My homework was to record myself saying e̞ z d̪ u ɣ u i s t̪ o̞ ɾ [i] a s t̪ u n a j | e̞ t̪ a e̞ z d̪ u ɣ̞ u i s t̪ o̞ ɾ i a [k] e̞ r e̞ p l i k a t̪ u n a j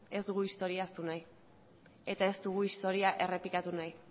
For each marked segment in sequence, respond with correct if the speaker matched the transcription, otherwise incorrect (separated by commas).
correct, incorrect